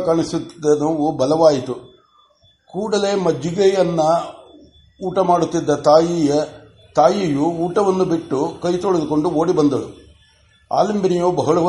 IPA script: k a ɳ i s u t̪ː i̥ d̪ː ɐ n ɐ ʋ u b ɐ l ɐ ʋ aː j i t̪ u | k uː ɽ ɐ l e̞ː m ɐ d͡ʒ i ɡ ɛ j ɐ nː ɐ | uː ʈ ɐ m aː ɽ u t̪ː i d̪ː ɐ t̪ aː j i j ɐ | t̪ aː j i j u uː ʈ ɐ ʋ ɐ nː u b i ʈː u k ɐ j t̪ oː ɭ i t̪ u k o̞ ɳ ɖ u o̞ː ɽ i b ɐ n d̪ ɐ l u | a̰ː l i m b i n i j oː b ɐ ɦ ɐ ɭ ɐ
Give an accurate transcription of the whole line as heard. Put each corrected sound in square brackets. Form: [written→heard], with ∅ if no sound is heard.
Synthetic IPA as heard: k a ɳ i s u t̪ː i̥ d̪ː ɐ n ɐ ʋ u b ɐ l ɐ ʋ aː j i t̪ u | k uː ɽ ɐ l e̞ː m ɐ d͡ʒ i ɡ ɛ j ɐ nː ɐ | uː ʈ ɐ m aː ɽ u t̪ː i d̪ː ɐ t̪ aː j i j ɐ | t̪ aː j i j u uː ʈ ɐ ʋ ɐ nː u b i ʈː u k ɐ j t̪ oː ɭ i [t̪→d̪] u k o̞ ɳ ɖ u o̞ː ɽ i b ɐ n d̪ ɐ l u | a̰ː l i m b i n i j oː b ɐ ɦ ɐ ɭ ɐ